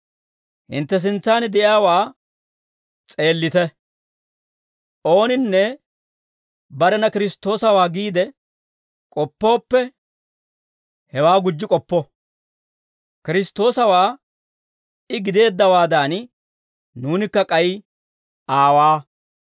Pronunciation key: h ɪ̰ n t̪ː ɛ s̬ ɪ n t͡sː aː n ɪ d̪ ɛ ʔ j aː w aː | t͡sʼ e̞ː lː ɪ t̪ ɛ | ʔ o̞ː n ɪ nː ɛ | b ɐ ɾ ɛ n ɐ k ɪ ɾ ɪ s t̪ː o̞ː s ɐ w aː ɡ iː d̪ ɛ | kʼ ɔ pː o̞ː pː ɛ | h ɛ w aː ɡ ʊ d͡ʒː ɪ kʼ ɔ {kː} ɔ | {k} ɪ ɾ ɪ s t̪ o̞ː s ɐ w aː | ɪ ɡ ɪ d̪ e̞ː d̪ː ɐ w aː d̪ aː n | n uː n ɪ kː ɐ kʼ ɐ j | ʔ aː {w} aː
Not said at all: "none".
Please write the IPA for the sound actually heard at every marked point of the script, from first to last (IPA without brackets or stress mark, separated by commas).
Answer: pː, k, w